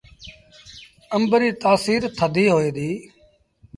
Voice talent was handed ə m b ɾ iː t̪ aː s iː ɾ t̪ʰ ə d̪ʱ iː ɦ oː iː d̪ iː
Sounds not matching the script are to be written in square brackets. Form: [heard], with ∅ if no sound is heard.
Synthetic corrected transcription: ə m b ɾ iː t̪ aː s iː ɾ t̪ʰ ə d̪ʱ iː ɦ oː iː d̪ iː